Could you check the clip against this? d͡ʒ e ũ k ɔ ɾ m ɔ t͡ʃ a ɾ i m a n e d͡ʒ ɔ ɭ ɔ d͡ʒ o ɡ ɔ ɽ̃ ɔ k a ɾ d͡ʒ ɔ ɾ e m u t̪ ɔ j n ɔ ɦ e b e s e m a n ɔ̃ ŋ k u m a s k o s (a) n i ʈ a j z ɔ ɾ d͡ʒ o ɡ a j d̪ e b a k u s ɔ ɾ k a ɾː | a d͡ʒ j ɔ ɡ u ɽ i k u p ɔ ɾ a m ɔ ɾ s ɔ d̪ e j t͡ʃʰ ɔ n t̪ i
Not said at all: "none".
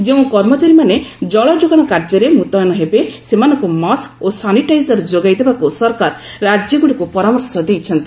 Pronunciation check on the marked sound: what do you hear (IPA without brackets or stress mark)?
a